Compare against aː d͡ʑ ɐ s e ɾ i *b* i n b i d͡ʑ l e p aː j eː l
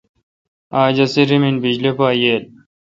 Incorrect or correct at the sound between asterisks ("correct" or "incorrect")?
incorrect